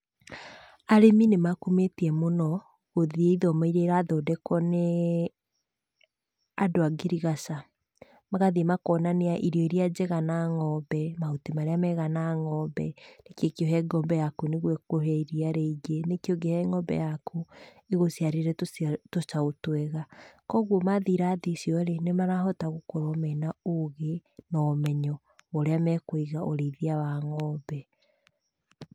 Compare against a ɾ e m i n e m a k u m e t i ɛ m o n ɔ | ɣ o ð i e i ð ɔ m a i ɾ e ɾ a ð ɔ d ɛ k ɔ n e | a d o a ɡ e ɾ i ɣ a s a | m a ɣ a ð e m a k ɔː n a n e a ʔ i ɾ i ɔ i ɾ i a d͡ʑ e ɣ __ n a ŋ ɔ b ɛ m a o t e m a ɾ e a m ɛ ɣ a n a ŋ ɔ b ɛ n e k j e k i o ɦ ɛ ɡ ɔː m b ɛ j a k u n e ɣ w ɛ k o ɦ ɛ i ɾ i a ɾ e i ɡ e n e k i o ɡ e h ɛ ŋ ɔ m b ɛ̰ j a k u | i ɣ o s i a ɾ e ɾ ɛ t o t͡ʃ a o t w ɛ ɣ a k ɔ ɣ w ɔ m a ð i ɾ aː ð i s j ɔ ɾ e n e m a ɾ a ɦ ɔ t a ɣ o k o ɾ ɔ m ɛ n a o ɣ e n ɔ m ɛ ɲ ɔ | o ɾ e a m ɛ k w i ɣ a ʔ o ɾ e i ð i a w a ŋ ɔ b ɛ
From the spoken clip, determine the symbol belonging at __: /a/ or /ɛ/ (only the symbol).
a